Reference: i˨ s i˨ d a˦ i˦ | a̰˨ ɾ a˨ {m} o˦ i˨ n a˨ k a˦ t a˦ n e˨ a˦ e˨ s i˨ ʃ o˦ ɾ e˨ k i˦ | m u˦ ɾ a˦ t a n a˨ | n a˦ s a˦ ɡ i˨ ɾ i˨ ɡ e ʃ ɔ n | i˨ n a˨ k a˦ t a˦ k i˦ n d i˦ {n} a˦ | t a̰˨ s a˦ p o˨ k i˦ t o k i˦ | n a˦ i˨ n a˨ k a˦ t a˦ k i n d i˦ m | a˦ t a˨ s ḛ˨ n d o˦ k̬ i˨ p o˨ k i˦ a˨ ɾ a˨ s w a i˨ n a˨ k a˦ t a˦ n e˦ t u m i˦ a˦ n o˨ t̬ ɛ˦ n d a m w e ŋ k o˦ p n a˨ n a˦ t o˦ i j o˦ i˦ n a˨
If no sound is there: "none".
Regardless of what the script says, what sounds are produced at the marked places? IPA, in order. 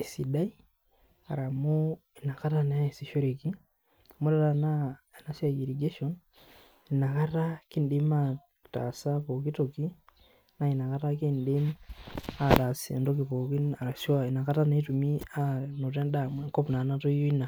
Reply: m, m

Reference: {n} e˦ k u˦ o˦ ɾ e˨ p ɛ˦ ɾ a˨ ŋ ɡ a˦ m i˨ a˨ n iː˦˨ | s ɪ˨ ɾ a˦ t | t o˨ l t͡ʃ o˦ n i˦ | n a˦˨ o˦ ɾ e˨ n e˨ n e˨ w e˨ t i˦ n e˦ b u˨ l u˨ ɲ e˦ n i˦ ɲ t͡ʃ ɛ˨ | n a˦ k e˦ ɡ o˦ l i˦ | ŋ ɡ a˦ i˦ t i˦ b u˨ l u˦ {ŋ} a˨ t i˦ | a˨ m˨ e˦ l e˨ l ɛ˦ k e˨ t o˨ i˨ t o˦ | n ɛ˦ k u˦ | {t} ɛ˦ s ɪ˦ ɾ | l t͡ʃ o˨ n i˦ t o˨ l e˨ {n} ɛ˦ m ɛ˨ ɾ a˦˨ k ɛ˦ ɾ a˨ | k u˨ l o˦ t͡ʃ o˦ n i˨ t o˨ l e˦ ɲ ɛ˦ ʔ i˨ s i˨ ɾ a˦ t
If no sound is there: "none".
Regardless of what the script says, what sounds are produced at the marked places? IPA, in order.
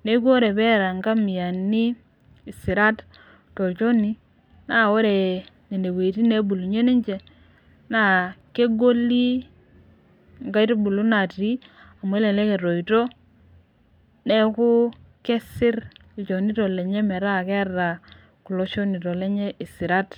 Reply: n, n, k, ɲ

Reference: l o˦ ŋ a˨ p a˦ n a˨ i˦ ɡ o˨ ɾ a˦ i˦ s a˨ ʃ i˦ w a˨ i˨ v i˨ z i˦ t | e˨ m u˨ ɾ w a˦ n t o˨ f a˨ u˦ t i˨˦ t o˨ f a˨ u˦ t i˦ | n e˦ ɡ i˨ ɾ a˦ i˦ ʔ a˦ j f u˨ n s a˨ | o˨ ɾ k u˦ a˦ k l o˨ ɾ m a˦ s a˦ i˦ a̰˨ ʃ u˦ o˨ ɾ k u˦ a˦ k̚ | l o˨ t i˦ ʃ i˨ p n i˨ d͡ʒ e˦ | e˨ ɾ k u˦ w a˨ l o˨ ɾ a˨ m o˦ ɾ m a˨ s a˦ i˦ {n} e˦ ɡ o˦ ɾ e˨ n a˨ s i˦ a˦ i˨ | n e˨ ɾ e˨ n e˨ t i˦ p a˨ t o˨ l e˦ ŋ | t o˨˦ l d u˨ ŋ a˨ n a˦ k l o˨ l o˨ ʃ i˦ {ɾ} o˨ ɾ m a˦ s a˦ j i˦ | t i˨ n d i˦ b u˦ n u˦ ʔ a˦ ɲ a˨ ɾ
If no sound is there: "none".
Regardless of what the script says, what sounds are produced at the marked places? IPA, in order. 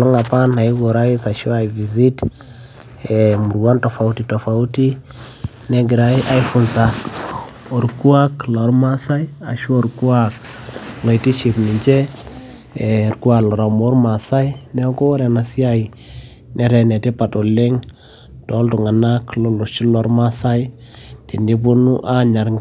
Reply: n, l

